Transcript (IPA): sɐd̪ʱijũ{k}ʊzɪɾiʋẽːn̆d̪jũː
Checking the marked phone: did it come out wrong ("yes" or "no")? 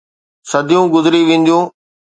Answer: yes